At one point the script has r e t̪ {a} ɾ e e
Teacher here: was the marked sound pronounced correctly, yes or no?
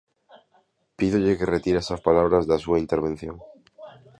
no